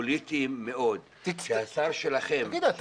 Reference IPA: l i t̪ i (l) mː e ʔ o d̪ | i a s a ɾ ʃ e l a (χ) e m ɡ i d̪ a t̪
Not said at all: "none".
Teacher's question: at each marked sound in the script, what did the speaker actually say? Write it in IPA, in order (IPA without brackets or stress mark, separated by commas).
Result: none, χ